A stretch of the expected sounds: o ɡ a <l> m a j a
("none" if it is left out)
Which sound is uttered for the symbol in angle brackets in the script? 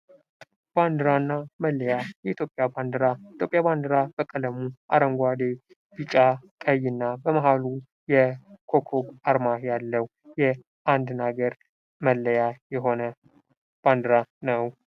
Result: ɾ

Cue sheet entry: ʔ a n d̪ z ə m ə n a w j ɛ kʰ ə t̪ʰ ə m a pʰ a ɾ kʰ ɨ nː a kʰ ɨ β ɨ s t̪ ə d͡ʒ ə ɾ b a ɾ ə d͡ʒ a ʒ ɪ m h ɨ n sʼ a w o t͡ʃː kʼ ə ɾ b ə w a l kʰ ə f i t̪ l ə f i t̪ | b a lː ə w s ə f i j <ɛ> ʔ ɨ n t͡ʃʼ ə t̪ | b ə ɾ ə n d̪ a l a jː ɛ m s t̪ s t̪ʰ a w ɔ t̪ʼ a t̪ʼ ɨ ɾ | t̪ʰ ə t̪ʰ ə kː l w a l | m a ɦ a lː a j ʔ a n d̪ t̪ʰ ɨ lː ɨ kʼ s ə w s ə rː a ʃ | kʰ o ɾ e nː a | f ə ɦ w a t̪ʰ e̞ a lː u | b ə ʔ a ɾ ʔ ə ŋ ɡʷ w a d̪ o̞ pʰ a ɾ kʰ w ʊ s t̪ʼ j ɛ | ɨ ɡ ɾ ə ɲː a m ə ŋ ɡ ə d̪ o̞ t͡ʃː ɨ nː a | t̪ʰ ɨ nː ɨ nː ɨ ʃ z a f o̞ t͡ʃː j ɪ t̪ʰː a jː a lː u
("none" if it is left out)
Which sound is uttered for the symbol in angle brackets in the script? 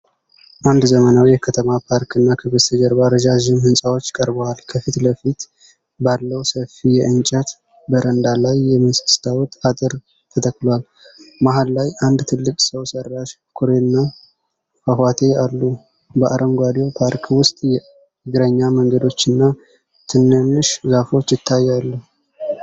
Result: ɛ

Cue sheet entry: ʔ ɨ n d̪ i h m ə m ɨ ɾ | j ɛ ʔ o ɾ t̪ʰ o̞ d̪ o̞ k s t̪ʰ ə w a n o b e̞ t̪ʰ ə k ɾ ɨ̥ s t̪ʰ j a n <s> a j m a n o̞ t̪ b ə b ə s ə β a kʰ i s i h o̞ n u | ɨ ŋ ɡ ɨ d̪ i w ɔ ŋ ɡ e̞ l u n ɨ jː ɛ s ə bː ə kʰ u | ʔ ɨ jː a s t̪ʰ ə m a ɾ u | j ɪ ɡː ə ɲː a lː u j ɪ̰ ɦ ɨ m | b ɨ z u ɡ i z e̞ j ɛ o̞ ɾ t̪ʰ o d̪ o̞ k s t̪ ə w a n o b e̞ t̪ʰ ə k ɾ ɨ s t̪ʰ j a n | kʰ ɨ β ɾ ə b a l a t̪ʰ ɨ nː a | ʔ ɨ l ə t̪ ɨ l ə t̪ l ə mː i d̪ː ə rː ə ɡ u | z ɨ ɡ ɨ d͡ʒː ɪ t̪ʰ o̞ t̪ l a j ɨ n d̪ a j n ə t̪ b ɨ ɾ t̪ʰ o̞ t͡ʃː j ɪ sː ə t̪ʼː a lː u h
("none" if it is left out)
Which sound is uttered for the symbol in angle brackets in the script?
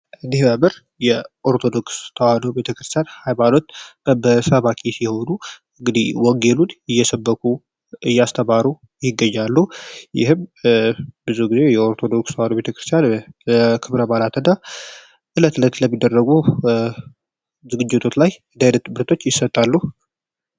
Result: h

